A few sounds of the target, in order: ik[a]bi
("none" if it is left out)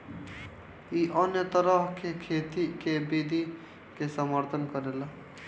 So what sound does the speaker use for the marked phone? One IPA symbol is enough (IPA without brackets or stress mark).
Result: e